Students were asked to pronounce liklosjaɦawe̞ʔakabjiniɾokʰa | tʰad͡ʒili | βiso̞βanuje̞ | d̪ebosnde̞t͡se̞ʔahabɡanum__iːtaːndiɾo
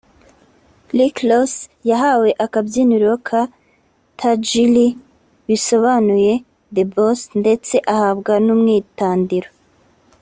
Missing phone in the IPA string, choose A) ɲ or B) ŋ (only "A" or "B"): B